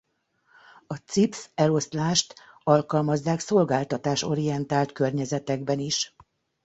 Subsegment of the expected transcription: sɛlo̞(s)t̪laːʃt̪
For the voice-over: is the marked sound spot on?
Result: yes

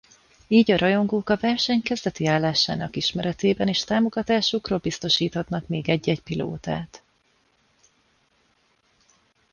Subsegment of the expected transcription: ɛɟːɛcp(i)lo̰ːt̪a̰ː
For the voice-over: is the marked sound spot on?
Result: yes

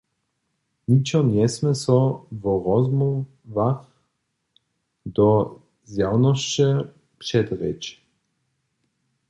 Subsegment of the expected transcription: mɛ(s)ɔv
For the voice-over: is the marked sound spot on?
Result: yes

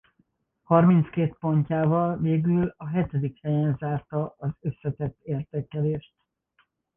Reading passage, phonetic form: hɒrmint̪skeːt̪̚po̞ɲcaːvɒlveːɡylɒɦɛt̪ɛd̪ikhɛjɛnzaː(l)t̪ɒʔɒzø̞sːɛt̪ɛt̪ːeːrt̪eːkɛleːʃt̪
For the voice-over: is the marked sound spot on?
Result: no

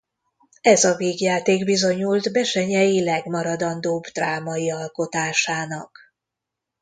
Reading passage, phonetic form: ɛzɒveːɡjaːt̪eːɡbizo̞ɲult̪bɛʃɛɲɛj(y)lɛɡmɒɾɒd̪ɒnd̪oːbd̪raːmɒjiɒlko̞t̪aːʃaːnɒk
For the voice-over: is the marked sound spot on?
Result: no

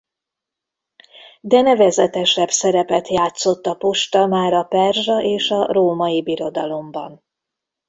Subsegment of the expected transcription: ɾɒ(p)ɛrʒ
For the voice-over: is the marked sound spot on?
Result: yes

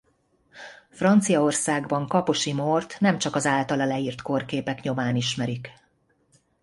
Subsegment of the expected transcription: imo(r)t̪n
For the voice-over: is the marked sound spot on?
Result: yes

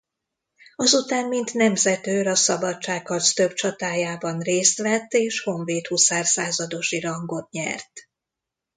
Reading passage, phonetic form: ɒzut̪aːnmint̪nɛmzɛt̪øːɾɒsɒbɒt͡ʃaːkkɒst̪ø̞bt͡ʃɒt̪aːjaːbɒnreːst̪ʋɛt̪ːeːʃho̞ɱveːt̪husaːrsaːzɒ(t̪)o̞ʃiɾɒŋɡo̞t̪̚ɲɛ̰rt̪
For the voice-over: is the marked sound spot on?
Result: no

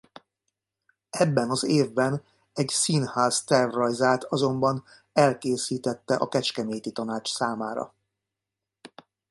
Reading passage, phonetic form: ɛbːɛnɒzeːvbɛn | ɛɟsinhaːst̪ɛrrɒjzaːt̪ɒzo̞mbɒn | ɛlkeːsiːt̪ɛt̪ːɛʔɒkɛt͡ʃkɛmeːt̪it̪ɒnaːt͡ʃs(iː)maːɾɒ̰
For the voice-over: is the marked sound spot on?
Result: no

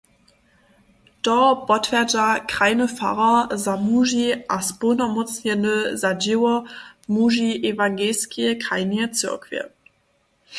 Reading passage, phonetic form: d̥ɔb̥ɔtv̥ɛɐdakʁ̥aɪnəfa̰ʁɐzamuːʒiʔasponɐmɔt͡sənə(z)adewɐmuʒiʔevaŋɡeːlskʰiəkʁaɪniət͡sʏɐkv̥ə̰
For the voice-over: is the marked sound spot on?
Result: yes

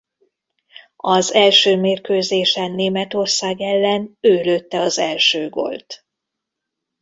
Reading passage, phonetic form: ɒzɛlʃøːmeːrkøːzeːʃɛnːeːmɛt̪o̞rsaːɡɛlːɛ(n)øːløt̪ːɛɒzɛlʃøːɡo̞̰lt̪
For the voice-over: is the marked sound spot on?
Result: yes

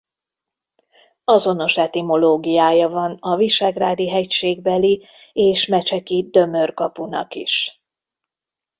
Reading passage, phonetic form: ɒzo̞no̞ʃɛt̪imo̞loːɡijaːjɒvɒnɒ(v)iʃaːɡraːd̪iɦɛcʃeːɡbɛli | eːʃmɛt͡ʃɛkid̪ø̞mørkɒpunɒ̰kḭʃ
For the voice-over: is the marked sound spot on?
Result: yes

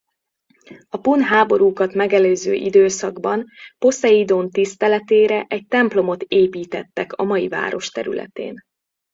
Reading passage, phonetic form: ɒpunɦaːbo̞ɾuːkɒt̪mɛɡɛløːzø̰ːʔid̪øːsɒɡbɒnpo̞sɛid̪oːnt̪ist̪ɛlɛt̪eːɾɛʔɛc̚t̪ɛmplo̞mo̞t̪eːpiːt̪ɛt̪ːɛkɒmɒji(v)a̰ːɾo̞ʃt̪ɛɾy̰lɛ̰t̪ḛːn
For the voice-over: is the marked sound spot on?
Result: yes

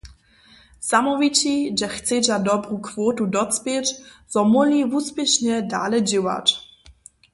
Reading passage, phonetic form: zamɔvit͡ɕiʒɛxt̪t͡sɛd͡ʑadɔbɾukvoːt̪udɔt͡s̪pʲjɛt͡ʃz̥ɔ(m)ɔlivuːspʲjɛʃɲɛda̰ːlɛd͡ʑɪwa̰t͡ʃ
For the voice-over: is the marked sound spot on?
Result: yes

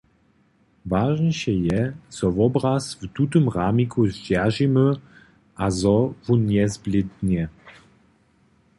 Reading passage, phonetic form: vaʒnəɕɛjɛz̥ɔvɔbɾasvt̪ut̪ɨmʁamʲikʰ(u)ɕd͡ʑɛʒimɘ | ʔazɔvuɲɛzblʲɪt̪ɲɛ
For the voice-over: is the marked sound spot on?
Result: yes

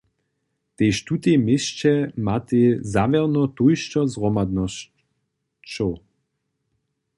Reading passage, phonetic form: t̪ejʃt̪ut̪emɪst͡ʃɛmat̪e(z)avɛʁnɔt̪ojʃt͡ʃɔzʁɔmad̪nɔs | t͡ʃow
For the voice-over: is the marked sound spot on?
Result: yes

